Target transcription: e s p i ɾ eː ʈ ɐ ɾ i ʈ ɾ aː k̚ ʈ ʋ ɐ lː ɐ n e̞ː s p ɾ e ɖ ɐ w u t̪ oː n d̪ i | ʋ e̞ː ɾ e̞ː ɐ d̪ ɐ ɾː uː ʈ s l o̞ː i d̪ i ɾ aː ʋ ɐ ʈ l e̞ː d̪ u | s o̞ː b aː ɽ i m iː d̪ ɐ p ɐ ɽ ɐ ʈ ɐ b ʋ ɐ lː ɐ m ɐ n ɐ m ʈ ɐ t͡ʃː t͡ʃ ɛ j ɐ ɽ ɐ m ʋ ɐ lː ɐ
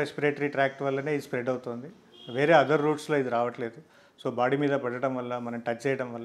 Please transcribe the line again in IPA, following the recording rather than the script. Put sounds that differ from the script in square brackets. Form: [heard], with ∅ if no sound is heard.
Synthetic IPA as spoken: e s p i ɾ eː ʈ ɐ ɾ i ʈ ɾ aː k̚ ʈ ʋ ɐ lː ɐ n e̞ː s p ɾ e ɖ ɐ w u t̪ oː n d̪ i | ʋ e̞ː ɾ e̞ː ɐ d̪ ɐ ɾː uː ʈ s l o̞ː i d̪ i ɾ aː ʋ ɐ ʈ l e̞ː d̪ u | s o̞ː b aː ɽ i m iː d̪ ɐ p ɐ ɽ ɐ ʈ ɐ [m] ʋ ɐ lː ɐ m ɐ n ɐ m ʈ ɐ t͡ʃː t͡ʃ ɛ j ɐ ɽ ɐ m ʋ ɐ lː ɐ